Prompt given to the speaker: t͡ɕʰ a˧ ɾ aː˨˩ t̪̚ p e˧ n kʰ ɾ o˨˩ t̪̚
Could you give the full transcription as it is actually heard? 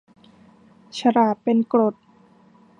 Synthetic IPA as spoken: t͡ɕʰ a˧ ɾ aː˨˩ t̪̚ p e˧ n k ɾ o˨˩ t̪̚

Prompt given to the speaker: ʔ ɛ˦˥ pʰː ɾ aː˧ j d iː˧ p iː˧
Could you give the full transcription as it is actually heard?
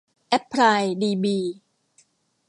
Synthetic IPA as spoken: ʔ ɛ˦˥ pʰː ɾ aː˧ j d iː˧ b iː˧

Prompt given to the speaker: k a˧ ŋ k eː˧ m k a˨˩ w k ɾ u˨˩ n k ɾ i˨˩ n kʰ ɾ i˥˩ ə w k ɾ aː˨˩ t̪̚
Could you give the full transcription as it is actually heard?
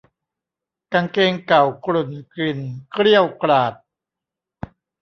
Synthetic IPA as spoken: k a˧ ŋ k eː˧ ŋ k a˨˩ w k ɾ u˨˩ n k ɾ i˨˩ n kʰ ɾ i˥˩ ə w k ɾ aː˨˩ t̪̚

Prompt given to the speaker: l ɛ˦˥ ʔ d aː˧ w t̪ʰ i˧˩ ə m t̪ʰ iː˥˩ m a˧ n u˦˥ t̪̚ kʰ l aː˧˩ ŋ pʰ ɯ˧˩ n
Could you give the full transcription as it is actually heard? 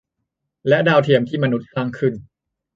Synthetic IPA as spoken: l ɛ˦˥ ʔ d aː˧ w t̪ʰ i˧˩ ə m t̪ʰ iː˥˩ m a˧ n u˦˥ t̪̚ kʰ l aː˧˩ ŋ kʰ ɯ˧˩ n

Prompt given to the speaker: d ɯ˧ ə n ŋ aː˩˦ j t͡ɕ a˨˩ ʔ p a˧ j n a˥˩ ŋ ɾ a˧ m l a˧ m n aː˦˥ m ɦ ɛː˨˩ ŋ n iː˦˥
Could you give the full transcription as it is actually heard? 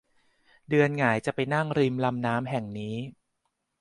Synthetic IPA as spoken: d ɯ˧ ə n ŋ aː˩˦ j t͡ɕ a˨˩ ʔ p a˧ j n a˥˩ ŋ ɾ i˧ m l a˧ m n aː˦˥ m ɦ ɛ˨˩ ŋ n iː˦˥

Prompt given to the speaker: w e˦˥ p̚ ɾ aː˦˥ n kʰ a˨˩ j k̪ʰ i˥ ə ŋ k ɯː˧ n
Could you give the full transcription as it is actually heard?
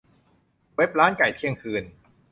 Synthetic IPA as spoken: w e˦˥ p̚ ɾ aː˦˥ n k a˨˩ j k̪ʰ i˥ ə ŋ kʰ ɯː˧ n

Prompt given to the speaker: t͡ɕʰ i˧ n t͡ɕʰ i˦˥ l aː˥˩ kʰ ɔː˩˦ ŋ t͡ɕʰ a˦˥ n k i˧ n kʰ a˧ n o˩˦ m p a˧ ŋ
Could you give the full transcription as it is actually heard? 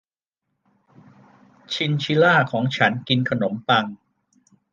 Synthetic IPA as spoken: t͡ɕʰ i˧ n t͡ɕʰ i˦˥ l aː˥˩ kʰ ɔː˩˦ ŋ t͡ɕʰ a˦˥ n k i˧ n kʰ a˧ n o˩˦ m p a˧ ŋ

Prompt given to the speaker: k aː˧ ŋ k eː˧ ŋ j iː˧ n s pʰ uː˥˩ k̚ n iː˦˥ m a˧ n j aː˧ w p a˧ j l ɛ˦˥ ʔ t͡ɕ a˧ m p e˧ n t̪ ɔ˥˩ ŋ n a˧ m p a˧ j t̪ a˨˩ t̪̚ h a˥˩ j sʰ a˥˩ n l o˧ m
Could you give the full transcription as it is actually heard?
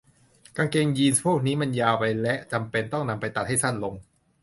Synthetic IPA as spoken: k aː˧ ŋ k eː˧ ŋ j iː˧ n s pʰ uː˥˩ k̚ n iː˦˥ m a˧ n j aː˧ w p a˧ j l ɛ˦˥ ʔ t͡ɕ a˧ m p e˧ n t̪ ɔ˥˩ ŋ n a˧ m p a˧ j t̪ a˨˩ t̪̚ h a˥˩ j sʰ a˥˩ n l o˧ ŋ

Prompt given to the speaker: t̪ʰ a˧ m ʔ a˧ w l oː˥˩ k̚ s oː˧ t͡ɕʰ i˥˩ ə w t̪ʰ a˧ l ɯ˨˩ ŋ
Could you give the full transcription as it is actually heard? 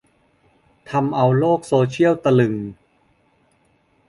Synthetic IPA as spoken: t̪ʰ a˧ m ʔ a˧ w l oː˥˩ k̚ s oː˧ t͡ɕʰ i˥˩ ə w t̪ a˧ l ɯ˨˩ ŋ

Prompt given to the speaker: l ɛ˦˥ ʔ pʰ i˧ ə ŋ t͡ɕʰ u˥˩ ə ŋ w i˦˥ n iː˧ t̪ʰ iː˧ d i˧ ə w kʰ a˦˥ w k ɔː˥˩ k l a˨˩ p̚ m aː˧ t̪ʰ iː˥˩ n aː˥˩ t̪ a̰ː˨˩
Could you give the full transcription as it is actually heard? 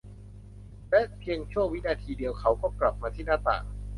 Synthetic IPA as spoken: l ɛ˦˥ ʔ pʰ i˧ ə ŋ t͡ɕʰ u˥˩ ə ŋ w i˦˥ n aː˧ t̪ʰ iː˧ d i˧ ə w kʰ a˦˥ w k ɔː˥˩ k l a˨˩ p̚ m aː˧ t̪ʰ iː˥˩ n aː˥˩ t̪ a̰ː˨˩

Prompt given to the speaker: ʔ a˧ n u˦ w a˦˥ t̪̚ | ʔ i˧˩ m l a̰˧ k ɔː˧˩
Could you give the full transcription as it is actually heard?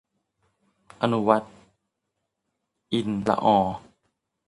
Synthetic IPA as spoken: ʔ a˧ n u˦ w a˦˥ t̪̚ | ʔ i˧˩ n l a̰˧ ʔ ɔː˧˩

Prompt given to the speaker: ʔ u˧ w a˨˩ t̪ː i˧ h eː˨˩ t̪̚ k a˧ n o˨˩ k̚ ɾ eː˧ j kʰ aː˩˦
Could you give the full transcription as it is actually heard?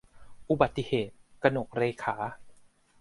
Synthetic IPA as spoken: ʔ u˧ b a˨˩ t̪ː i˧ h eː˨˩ t̪̚ k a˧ n o˨˩ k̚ ɾ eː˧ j kʰ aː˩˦

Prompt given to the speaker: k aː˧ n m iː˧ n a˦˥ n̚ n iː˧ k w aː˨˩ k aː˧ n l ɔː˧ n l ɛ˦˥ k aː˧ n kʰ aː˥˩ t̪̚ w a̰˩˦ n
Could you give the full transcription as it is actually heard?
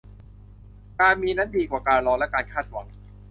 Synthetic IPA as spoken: k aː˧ n m iː˧ n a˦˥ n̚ d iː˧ k w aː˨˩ k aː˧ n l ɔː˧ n l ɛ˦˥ k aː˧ n kʰ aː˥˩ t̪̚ w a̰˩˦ ŋ

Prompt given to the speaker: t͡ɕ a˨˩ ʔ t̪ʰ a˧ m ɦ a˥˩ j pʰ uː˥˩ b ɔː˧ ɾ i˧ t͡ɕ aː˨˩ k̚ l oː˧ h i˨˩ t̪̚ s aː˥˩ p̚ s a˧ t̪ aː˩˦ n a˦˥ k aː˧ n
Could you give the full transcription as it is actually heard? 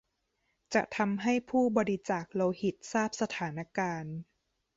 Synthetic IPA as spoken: t͡ɕ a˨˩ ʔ t̪ʰ a˧ m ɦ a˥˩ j pʰ uː˥˩ b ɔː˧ ɾ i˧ t͡ɕ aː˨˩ k̚ l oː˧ h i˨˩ t̪̚ s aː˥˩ p̚ s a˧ t̪ʰ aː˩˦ n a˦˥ k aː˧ n

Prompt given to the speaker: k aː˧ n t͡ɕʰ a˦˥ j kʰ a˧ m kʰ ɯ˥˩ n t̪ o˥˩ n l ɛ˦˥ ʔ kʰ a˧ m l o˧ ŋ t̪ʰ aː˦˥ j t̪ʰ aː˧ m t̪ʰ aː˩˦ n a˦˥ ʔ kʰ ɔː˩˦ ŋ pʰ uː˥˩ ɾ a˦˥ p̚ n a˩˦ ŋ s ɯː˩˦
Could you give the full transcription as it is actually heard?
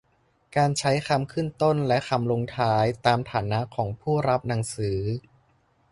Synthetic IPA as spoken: k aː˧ n t͡ɕʰ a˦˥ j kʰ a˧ m kʰ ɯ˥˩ n t̪ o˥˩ n l ɛ˦˥ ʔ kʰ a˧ m l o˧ ŋ t̪ʰ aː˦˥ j t̪ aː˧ m t̪ʰ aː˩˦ n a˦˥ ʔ kʰ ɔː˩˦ ŋ pʰ uː˥˩ ɾ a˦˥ p̚ n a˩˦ ŋ s ɯː˩˦

